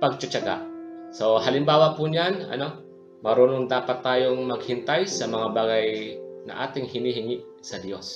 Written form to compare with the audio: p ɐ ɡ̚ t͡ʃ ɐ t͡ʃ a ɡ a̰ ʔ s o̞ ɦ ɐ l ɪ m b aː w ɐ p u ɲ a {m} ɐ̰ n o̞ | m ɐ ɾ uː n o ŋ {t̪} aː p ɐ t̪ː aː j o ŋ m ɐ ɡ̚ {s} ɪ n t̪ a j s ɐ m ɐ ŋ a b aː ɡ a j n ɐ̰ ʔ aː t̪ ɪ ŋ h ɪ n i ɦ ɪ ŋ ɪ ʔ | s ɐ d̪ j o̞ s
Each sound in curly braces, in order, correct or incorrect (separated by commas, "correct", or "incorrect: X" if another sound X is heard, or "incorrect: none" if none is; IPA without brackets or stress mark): incorrect: n, incorrect: d̪, incorrect: h